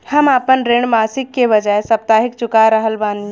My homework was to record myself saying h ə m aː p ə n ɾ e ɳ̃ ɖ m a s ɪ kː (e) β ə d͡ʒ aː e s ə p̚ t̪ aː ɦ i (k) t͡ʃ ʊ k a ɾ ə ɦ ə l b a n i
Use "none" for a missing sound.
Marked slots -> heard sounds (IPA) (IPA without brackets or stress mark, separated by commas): e, k